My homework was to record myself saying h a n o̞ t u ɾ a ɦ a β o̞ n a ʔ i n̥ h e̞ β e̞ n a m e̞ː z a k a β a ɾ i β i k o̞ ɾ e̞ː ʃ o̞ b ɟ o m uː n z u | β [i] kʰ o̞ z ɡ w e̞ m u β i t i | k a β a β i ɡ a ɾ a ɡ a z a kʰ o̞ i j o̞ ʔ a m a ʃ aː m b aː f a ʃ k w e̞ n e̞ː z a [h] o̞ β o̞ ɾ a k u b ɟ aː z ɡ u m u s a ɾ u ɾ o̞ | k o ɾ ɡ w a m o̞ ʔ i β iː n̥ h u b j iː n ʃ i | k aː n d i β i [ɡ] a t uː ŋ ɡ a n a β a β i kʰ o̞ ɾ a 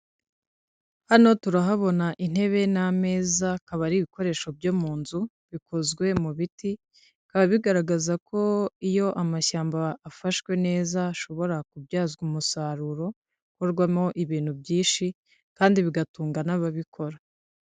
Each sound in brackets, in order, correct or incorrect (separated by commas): correct, incorrect, correct